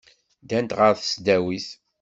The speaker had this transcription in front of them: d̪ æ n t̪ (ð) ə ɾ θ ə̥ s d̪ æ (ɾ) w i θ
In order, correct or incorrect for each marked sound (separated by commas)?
incorrect, incorrect